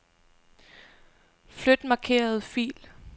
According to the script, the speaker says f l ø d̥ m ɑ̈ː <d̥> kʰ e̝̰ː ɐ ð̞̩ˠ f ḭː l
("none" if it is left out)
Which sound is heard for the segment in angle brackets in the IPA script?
none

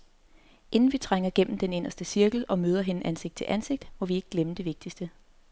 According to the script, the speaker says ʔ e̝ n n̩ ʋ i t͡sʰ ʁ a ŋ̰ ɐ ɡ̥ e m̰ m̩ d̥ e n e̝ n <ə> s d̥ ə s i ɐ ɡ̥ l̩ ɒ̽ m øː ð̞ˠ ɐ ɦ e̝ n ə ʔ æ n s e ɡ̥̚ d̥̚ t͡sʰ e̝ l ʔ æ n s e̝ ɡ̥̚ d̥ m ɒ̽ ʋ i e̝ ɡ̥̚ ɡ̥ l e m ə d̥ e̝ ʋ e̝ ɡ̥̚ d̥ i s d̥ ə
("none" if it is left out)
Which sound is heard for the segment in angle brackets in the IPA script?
ɐ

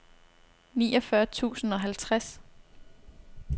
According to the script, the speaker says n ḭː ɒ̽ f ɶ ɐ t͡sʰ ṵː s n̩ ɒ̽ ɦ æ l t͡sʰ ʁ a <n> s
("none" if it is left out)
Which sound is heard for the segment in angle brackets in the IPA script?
none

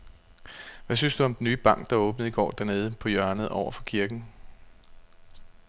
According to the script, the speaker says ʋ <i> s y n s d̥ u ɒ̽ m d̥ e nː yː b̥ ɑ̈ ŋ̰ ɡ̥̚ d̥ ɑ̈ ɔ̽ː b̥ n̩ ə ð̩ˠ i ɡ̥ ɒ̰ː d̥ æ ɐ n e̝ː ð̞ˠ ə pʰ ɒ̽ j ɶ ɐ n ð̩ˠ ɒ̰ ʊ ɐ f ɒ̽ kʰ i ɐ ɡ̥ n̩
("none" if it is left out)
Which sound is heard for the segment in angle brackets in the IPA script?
æ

